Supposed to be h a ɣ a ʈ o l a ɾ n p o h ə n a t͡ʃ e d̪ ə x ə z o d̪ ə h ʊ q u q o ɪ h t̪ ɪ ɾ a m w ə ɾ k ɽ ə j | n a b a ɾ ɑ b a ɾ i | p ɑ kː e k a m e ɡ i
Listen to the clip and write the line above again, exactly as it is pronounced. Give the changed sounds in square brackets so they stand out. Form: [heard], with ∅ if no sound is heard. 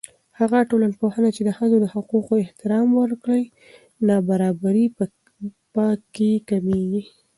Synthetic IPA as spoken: h a ɣ a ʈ o l a [∅] n p o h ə n a t͡ʃ e d̪ ə x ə z o d̪ ə h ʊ q u q o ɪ h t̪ ɪ ɾ [ɑ] m w ə ɾ k ɽ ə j | n [ɑ] b a ɾ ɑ b a ɾ i | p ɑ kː e k a m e ɡ i